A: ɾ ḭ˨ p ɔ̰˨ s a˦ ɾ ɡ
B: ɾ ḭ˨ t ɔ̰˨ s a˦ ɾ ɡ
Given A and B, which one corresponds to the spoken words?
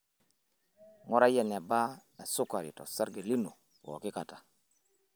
B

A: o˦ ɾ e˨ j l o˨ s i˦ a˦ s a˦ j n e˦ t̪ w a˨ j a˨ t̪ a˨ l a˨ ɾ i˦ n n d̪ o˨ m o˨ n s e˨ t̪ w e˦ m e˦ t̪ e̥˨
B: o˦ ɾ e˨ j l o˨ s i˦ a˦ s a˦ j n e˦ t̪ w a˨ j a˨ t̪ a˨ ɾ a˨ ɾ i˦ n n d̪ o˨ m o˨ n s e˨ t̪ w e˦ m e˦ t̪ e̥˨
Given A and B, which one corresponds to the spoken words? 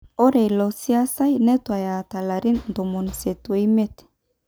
A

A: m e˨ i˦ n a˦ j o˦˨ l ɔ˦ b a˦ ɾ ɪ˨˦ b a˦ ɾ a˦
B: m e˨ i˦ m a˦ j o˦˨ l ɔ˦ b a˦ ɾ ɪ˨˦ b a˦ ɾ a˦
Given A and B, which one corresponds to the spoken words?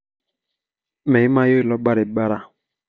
B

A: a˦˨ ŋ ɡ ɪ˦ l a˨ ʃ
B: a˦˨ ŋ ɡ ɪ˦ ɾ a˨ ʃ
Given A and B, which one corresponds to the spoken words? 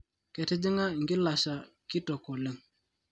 A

